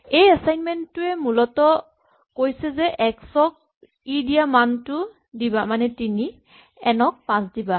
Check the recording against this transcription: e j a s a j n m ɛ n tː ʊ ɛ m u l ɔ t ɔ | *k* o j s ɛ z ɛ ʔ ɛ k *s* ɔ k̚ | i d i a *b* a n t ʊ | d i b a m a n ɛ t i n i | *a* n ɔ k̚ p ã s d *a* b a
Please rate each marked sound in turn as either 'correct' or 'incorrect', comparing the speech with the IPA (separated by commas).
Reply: correct, correct, incorrect, incorrect, incorrect